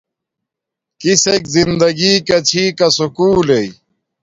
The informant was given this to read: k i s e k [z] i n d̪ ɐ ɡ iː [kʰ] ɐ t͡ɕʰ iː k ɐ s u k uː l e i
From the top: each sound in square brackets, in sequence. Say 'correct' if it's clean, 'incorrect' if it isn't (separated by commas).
correct, incorrect